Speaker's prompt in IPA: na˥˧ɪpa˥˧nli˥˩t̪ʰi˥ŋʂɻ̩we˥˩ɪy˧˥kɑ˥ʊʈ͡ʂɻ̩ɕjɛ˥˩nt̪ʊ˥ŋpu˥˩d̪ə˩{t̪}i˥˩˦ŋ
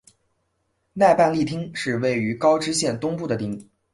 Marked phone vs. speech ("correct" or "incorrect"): correct